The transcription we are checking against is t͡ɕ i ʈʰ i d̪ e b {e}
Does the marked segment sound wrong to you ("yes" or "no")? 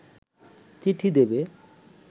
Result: no